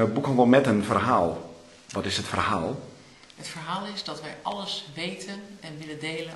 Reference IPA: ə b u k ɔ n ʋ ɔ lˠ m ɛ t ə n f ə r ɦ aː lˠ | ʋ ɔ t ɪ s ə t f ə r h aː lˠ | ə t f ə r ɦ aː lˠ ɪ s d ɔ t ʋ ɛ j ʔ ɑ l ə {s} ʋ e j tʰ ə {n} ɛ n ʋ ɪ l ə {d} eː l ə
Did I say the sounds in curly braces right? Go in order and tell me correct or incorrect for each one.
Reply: correct, correct, correct

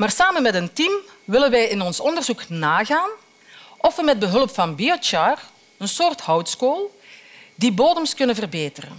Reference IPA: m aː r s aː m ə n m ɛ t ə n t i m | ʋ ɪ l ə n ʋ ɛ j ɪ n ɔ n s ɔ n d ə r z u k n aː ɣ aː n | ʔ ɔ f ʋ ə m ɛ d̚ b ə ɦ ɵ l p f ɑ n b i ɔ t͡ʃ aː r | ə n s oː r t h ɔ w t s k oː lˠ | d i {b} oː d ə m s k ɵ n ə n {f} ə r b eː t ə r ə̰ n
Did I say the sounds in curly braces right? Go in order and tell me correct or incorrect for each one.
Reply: correct, incorrect: v

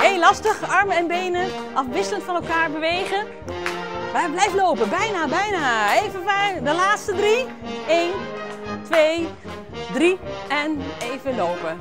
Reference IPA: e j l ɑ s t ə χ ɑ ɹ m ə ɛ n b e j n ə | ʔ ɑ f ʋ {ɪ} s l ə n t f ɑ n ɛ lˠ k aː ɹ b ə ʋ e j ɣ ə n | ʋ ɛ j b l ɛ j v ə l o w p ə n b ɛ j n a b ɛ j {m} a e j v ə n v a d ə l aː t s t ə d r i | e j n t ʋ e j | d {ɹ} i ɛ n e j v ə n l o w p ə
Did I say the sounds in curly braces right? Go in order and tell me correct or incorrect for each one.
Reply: correct, incorrect: n, incorrect: r

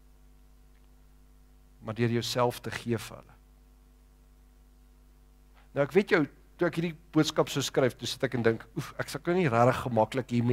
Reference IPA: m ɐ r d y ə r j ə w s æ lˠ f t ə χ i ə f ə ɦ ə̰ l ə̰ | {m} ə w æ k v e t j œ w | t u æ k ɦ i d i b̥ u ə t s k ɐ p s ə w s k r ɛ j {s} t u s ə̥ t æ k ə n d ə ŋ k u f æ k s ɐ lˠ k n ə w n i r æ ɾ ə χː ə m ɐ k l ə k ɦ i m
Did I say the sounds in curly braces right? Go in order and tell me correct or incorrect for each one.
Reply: incorrect: n, incorrect: f

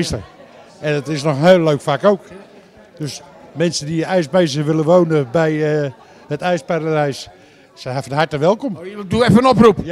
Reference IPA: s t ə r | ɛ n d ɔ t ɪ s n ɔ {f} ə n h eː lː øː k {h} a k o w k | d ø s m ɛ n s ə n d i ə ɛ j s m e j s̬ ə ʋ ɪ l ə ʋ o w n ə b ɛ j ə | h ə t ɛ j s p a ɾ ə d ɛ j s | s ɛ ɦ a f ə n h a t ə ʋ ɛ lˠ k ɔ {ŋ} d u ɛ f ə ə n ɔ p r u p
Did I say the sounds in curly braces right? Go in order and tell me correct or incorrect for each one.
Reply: incorrect: x, incorrect: f, incorrect: m

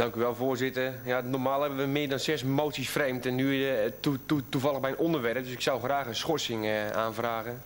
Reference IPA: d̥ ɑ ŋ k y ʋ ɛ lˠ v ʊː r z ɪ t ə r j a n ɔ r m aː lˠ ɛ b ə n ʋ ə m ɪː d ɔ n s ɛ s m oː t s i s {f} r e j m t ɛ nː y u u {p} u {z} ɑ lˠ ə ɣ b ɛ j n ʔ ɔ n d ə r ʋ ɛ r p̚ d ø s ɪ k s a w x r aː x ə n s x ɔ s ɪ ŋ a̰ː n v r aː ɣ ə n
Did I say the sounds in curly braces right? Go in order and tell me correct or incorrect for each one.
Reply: correct, incorrect: t, incorrect: v

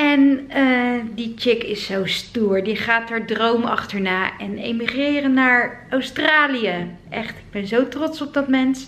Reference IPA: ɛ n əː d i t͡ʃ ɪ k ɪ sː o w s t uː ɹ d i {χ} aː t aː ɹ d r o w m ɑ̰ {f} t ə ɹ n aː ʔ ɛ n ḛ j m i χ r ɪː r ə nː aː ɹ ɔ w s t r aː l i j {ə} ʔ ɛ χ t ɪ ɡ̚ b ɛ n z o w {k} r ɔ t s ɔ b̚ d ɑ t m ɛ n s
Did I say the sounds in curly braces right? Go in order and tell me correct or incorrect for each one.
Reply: correct, incorrect: χ, correct, incorrect: t

